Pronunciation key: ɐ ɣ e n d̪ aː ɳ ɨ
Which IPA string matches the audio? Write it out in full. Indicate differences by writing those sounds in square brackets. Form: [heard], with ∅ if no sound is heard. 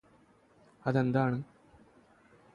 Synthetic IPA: ɐ [ð] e n d̪ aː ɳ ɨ